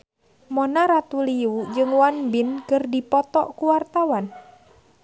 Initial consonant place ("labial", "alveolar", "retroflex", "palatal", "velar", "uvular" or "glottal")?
labial